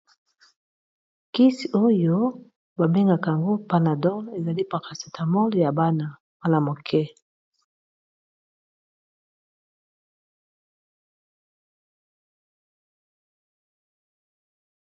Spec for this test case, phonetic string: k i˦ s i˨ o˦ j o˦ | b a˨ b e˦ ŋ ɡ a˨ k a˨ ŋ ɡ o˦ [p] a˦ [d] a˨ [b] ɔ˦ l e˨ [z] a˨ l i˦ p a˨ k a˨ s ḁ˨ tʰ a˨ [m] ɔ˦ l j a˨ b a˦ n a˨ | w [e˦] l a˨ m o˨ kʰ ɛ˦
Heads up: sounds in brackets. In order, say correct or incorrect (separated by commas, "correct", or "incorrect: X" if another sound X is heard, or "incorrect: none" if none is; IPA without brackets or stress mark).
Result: correct, incorrect: n, incorrect: d, correct, correct, incorrect: a˦